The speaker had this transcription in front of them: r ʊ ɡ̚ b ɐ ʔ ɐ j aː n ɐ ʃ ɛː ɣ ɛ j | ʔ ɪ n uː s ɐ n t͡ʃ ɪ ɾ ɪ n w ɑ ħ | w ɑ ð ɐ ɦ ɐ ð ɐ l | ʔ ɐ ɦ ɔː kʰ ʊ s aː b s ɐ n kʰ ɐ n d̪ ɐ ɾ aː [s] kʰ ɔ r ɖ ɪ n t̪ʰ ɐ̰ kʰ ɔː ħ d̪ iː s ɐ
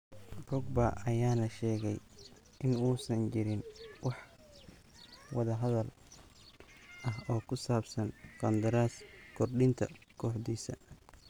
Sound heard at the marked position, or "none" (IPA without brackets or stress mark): s